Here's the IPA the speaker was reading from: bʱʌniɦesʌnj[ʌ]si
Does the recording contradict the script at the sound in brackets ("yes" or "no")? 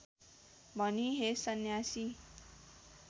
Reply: yes